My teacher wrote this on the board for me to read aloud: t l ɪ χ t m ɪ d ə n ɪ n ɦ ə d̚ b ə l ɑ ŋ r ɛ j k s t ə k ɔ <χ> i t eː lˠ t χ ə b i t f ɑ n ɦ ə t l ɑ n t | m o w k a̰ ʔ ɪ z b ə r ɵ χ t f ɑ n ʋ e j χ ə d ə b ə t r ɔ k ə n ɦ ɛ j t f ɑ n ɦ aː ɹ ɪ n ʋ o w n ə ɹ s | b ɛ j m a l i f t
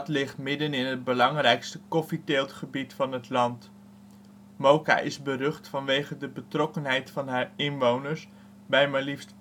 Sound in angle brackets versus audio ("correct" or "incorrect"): incorrect